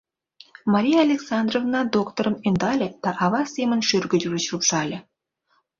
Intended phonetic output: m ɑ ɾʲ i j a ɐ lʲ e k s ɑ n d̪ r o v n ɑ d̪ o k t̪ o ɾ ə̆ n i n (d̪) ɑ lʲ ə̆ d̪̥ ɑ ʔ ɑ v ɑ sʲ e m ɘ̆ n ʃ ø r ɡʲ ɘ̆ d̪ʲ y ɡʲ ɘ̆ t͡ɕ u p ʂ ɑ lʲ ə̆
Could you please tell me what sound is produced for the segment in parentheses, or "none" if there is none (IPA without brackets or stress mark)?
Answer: d̪